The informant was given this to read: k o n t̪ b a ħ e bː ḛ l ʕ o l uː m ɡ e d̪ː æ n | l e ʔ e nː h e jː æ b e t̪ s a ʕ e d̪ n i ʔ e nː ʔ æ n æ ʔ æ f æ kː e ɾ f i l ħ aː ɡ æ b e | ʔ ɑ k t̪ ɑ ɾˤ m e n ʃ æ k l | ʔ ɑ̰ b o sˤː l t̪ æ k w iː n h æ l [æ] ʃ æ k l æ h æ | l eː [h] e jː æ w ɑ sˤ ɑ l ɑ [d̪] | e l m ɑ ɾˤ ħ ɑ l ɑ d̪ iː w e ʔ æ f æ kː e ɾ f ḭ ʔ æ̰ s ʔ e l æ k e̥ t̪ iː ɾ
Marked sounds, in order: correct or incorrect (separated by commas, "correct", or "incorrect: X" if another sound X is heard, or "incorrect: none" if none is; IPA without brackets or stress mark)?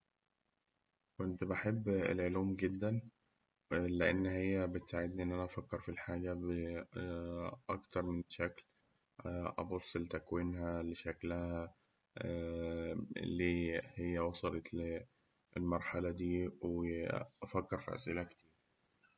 incorrect: e, correct, incorrect: t̪